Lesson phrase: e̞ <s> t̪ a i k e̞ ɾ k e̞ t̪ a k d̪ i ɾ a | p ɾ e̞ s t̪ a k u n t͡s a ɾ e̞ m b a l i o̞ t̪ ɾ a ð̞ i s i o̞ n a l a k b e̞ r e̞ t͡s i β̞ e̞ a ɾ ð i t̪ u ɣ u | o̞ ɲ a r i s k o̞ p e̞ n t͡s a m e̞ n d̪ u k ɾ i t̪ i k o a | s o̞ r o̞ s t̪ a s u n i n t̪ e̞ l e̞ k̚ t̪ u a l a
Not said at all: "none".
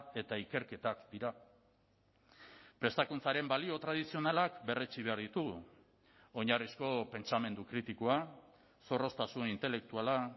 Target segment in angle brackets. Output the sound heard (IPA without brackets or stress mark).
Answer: none